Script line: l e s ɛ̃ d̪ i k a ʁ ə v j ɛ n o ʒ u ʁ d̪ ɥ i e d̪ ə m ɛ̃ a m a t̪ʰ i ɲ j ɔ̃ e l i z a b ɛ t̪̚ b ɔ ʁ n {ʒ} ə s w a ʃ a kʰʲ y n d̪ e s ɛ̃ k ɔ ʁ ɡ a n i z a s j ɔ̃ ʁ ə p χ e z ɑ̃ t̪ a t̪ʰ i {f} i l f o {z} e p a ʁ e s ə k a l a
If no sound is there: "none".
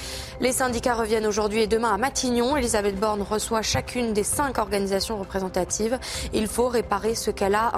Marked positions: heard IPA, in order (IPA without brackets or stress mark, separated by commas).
ʁ, v, ʁ